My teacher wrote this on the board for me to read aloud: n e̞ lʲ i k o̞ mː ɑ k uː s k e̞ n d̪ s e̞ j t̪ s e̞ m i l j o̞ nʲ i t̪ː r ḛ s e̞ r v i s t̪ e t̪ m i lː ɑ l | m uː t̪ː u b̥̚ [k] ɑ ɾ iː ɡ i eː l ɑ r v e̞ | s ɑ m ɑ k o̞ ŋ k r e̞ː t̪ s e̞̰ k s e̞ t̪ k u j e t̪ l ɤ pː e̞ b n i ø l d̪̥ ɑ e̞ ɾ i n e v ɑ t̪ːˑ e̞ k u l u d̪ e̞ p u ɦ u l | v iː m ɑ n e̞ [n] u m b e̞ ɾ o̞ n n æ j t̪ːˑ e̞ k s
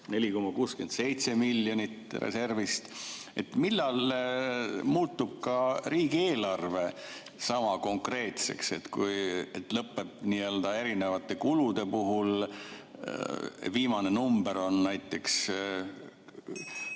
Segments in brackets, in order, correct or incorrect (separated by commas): correct, correct